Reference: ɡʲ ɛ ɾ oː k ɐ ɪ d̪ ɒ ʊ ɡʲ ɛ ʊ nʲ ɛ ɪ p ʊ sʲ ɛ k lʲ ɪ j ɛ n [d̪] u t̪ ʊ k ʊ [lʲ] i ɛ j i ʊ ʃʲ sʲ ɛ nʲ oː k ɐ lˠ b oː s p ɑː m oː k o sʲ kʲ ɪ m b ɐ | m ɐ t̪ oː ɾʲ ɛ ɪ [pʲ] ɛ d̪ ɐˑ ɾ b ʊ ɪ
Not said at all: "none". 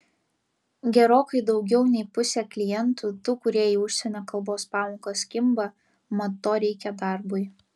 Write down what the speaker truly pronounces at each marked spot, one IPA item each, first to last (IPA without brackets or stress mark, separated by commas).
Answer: t̪, ɾʲ, kʲ